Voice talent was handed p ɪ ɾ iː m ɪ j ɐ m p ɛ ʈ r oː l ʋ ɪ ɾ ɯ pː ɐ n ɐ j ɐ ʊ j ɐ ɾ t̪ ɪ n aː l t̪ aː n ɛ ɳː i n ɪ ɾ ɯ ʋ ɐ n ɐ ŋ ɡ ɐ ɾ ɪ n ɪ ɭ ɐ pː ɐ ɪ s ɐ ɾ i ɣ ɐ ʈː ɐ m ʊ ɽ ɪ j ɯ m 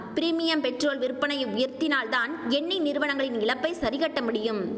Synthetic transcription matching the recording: p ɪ ɾ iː m ɪ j ɐ m p ɛ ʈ r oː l ʋ ɪ ɾ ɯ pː ɐ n ɐ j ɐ ʊ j ɐ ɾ t̪ ɪ n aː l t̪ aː n ɛ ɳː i n ɪ ɾ ɯ ʋ ɐ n ɐ ŋ ɡ ɐ ɭ ɪ n ɪ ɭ ɐ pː ɐ ɪ s ɐ ɾ ɪ ɣ ɐ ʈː ɐ m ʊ ɽ ɪ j ɯ m

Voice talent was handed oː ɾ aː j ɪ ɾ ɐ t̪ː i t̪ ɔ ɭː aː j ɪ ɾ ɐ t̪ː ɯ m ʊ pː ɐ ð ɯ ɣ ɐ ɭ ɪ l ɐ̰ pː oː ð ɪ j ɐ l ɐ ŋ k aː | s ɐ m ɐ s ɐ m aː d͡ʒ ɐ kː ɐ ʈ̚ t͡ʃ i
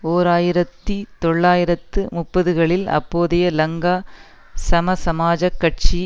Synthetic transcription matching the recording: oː ɾ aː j ɪ ɾ ɐ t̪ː i t̪ ɔ ɭː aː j ɪ ɾ ɐ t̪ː ɯ m ʊ pː ɐ ð ɯ ɣ ɐ ɭ ɪ l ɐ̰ pː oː ð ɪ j ɐ l ɐ ŋ ɡ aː | s ɐ m ɐ s ɐ m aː d͡ʒ ɐ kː ɐ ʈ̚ t͡ʃ i

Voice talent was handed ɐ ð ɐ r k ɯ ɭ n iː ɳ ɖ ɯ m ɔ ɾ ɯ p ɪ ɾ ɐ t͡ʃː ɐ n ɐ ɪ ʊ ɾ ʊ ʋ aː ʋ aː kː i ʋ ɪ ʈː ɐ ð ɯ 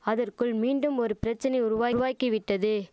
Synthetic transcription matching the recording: ɐ ð ɐ r k ɯ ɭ m iː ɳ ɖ ɯ m ɔ ɾ ɯ p ɪ ɾ ɐ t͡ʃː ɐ n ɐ ɪ ʊ ɾ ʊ ʋ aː ʋ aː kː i ʋ ɪ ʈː ɐ ð ɯ

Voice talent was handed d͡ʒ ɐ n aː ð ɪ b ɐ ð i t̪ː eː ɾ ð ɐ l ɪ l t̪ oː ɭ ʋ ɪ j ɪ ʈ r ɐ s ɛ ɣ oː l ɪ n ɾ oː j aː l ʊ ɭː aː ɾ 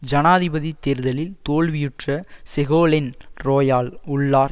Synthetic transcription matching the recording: d͡ʒ ɐ n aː ð ɪ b ɐ ð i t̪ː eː ɾ ð ɐ l ɪ l t̪ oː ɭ ʋ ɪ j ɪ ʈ r ɐ s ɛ ɣ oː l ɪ n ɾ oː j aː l ʊ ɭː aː ɾ

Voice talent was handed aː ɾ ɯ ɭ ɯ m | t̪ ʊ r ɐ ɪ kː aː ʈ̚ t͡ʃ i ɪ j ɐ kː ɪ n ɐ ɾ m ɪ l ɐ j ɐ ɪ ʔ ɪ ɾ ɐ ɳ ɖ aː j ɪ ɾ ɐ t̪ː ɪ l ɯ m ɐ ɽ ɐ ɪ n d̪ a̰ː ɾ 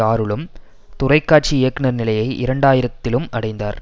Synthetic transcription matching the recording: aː ɾ ɯ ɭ ɯ m | t̪ ʊ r ɐ ɪ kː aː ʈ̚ t͡ʃ i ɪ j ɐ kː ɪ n ɐ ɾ n ɪ l ɐ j ɐ ɪ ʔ ɪ ɾ ɐ ɳ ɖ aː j ɪ ɾ ɐ t̪ː ɪ l ɯ m ɐ ɽ ɐ ɪ n d̪ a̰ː ɾ

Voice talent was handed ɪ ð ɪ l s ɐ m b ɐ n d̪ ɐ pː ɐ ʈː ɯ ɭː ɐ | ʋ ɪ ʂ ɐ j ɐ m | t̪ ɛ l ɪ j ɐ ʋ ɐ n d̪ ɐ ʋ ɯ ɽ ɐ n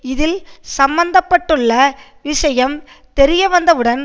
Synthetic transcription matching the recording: ɪ ð ɪ l s ɐ m b ɐ n d̪ ɐ pː ɐ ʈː ɯ ɭː ɐ | ʋ ɪ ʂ ɐ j ɐ m | t̪ ɛ ɾ ɪ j ɐ ʋ ɐ n d̪ ɐ ʋ ɯ ɽ ɐ n

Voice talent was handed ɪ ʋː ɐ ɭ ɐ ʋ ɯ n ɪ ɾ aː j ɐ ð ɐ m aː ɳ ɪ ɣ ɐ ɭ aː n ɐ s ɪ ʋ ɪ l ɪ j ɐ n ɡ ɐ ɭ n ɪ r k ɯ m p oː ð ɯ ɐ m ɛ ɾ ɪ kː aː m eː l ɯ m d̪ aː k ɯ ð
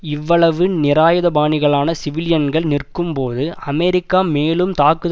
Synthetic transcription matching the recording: ɪ ʋː ɐ ɭ ɐ ʋ ɯ n ɪ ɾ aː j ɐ ð ɐ b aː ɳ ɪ ɣ ɐ ɭ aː n ɐ s ɪ ʋ ɪ l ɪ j ɐ n ɡ ɐ ɭ n ɪ r k ɯ m p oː ð ɯ ɐ m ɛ ɾ ɪ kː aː m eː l ɯ m t̪ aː k ɯ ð

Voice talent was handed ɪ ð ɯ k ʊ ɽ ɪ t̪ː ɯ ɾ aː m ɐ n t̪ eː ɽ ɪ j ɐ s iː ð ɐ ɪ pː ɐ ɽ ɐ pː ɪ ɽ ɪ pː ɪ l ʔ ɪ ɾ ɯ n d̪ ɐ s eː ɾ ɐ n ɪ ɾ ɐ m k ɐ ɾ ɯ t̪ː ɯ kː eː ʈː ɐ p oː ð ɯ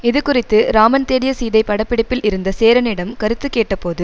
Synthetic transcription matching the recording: ɪ ð ɯ k ʊ r ɪ t̪ː ɯ ɾ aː m ɐ n t̪ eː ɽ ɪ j ɐ s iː ð ɐ ɪ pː ɐ ɽ ɐ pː ɪ ɽ ɪ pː ɪ l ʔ ɪ ɾ ɯ n d̪ ɐ s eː ɾ ɐ n ɪ ɽ ɐ m k ɐ ɾ ɯ t̪ː ɯ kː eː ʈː ɐ p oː ð ɯ

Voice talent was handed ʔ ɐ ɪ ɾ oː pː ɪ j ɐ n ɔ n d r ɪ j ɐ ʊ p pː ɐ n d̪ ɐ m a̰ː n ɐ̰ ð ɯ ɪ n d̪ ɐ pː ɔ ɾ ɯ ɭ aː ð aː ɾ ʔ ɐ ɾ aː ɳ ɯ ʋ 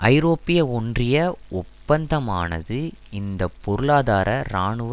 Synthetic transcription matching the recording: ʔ ɐ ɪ ɾ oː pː ɪ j ɐ ɔ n d r ɪ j ɐ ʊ p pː ɐ n d̪ ɐ m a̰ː n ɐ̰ ð ɯ ɪ n d̪ ɐ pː ɔ ɾ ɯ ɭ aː ð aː ɾ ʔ ɐ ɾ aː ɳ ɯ ʋ

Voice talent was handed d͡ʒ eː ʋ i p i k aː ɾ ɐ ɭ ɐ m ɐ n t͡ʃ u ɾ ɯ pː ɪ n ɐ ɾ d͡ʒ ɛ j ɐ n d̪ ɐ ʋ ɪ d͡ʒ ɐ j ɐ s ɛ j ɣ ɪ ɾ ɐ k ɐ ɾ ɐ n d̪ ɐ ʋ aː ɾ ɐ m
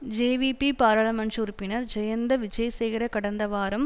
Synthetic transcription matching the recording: d͡ʒ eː ʋ i p i p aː ɾ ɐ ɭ ɐ m ɐ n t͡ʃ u ɾ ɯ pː ɪ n ɐ ɾ d͡ʒ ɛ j ɐ n d̪ ɐ ʋ ɪ d͡ʒ ɐ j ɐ s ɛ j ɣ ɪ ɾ ɐ k ɐ ɽ ɐ n d̪ ɐ ʋ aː ɾ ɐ m

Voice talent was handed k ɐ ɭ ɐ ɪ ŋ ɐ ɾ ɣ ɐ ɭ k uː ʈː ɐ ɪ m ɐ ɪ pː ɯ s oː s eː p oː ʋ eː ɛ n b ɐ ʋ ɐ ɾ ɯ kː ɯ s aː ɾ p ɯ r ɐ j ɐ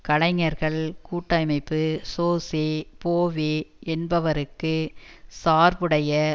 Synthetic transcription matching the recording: k ɐ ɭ ɐ ɪ ŋ ɐ ɾ ɣ ɐ ɭ k uː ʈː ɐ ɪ m ɐ ɪ pː ɯ s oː s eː p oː ʋ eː ɛ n b ɐ ʋ ɐ ɾ ɯ kː ɯ s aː ɾ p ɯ ɽ ɐ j ɐ

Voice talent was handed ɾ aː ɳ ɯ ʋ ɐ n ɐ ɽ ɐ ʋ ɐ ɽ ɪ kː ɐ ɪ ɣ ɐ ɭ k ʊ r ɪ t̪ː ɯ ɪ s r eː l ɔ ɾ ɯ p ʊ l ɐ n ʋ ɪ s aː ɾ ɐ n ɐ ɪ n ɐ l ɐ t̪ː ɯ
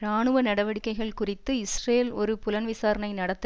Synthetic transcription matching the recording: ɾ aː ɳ ɯ ʋ ɐ n ɐ ɽ ɐ ʋ ɐ ɽ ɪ kː ɐ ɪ ɣ ɐ ɭ k ʊ r ɪ t̪ː ɯ ɪ s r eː l ɔ ɾ ɯ p ʊ l ɐ n ʋ ɪ s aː ɾ ɐ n ɐ ɪ n ɐ ɽ ɐ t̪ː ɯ

